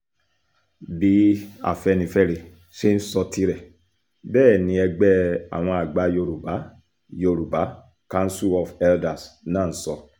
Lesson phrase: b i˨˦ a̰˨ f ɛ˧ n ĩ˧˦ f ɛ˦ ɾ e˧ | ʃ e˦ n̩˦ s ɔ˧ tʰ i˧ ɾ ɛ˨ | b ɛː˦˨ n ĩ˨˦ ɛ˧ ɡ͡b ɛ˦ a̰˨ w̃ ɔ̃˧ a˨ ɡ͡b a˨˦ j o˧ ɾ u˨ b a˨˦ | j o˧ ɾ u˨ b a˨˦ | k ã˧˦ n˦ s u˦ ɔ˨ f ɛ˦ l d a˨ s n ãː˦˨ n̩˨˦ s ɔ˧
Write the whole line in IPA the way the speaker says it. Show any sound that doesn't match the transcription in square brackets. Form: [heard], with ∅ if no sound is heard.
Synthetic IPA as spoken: b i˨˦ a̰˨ f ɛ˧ n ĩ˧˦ f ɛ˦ ɾ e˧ | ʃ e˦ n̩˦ s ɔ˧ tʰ i˧ ɾ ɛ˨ | b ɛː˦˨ n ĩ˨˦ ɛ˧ ɡ͡b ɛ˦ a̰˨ w̃ ɔ̃˧ a˨ ɡ͡b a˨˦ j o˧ ɾ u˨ b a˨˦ | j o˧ ɾ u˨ b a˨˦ | k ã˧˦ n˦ s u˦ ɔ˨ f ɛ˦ l d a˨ s n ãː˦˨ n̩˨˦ s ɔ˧